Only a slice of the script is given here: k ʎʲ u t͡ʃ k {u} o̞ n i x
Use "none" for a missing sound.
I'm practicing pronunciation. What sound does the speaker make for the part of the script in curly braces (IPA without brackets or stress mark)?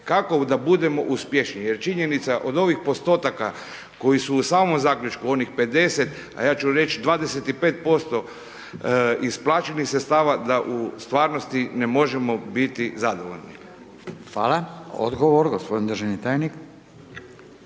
u